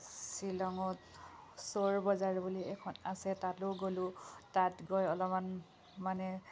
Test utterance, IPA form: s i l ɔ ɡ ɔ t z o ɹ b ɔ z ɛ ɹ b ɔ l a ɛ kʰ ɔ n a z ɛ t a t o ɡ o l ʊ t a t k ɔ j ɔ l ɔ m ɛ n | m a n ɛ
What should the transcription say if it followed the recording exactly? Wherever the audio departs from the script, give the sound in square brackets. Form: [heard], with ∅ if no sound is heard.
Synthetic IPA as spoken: s i l ɔ [ŋ] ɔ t [s] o ɹ b ɔ z [a] ɹ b [u] l [i] ɛ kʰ ɔ n a [s] ɛ t a t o ɡ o l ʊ t a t [ɡ] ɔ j ɔ l ɔ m [a] n | m a n ɛ

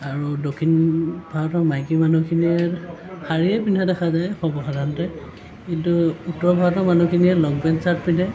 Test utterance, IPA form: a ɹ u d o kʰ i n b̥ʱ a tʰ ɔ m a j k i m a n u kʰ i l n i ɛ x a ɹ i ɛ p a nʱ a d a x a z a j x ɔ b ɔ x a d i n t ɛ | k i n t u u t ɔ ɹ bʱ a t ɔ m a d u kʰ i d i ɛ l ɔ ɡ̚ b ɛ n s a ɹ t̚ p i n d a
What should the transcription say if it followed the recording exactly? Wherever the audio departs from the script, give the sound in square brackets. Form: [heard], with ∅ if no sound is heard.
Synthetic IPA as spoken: a ɹ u d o kʰ i n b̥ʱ a [t] ɔ m a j k i m a n u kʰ i [∅] n i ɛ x a ɹ i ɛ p [i] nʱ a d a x a z a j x ɔ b ɔ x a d [a] n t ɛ | k i n t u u t ɔ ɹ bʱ a t ɔ m a [n] u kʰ i [n] i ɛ l ɔ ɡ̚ b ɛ n s a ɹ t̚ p i n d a

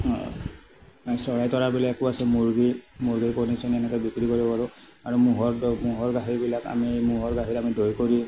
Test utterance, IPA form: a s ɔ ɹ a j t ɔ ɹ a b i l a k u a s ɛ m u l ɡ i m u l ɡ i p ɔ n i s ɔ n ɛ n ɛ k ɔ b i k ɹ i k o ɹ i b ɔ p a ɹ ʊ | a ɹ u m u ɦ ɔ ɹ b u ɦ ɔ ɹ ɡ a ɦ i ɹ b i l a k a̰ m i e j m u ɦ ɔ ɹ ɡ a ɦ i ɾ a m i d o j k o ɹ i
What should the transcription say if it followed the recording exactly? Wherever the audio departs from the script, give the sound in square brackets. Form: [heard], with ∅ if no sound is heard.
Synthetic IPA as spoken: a s ɔ ɹ a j t ɔ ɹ a b i l a k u a s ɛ m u [ɹ] ɡ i m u [ɹ] ɡ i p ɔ n i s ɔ n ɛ n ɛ k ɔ b i k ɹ i k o ɹ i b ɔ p a ɹ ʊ | a ɹ u m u ɦ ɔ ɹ [m] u ɦ ɔ ɹ ɡ a ɦ i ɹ b i l a k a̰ m i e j m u ɦ ɔ ɹ ɡ a ɦ i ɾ a m i d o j k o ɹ i

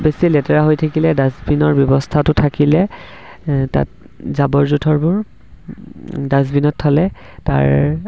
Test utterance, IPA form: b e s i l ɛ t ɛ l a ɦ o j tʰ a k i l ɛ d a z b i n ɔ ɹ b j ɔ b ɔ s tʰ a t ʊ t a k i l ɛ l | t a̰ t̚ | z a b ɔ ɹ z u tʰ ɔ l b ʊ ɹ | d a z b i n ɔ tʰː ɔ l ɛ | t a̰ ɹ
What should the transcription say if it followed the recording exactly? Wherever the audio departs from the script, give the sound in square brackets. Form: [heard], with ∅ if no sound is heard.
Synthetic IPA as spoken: b e s i l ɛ t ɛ [ɹ] a ɦ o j tʰ a k i l ɛ d a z b i n ɔ ɹ b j ɔ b ɔ s tʰ a t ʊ [tʰ] a k i l ɛ [∅] | t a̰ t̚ | z a b ɔ ɹ z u tʰ ɔ [ɹ] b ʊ ɹ | d a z b i n ɔ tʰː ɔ l ɛ | t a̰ ɹ

